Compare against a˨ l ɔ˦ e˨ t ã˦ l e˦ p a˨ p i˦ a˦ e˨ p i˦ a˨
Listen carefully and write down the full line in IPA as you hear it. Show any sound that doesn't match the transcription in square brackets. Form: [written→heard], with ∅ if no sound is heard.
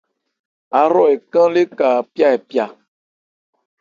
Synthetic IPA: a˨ [l→ɾ] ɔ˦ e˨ [t→k] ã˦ l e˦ [p→k] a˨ p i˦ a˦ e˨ p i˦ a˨